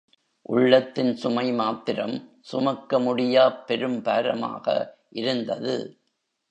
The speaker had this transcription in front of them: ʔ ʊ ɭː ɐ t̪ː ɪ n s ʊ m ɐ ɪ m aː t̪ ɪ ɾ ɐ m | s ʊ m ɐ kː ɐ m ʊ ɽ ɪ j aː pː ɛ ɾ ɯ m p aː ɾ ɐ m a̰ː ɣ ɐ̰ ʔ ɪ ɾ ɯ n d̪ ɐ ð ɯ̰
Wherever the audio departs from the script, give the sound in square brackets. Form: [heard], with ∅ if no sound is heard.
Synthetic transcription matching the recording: ʔ ʊ ɭː ɐ t̪ː ɪ n s ʊ m ɐ ɪ m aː t̪ ɪ ɾ ɐ m | s ʊ m ɐ kː ɐ m ʊ ɽ ɪ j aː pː ɛ ɾ ɯ m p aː ɾ ɐ m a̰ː ɣ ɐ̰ ʔ ɪ ɾ ɯ n d̪ ɐ ð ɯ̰